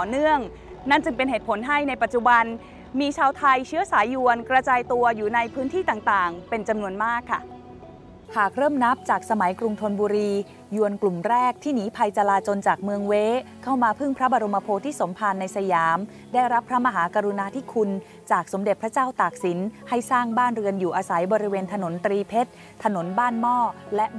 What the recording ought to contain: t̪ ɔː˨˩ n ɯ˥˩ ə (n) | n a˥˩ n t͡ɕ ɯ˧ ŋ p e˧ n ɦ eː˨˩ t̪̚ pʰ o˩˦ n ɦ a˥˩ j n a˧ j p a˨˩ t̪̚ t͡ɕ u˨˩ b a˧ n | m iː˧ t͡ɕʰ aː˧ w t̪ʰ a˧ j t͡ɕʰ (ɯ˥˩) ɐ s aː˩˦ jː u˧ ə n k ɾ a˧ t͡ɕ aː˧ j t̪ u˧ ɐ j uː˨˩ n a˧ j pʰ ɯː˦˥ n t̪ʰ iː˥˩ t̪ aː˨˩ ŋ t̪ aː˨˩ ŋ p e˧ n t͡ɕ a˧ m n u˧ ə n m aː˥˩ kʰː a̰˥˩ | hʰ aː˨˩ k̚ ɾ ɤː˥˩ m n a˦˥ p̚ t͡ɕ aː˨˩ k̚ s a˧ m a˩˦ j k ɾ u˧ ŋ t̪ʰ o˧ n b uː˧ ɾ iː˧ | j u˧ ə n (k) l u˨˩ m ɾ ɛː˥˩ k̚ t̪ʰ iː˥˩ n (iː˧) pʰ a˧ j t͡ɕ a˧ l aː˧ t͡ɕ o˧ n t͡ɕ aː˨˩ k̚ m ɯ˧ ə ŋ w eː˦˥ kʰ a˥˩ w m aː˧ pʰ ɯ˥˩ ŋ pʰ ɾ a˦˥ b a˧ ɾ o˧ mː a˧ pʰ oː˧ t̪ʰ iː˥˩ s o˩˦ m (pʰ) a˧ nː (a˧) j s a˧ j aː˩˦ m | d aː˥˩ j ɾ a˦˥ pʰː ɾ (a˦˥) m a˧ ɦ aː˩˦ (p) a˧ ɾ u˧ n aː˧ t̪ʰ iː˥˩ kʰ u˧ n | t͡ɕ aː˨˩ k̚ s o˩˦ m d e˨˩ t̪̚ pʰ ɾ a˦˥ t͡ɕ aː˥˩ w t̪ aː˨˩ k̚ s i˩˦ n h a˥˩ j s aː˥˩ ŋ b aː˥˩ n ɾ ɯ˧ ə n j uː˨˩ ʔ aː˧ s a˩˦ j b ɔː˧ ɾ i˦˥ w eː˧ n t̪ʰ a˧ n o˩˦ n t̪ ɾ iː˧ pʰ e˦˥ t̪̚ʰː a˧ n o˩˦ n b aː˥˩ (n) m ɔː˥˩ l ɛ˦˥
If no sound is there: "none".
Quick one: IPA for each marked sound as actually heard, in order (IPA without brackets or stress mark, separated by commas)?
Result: ŋ, ɯ˦˥, k, iː˦˥, pʰ, a˧, a˦˥, k, n